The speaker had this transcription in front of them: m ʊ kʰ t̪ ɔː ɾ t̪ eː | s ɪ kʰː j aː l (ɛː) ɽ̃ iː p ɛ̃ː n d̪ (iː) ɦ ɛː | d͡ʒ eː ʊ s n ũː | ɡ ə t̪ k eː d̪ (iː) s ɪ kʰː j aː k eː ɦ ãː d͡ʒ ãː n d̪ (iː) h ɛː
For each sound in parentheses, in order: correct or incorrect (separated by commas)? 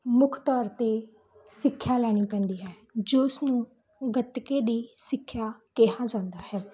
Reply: correct, correct, correct, incorrect